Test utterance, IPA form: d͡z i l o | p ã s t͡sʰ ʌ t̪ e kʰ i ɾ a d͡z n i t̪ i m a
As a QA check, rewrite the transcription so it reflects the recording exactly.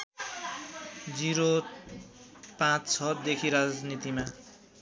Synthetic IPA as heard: d͡z i ɾ o | p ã t͡s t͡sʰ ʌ d̪ e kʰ i ɾ a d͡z n i t̪ i m a